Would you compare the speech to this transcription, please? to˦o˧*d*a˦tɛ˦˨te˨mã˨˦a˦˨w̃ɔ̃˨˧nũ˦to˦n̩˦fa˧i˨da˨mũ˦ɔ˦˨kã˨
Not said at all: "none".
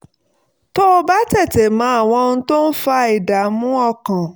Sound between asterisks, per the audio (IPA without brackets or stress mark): b